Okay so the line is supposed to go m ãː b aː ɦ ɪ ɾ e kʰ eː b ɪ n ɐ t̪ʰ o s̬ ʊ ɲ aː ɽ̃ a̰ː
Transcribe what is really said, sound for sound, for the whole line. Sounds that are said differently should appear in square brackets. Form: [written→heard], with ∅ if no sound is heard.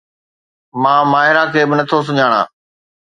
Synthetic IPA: m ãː [b→m] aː ɦ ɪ ɾ [e→a] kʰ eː b ɪ n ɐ t̪ʰ o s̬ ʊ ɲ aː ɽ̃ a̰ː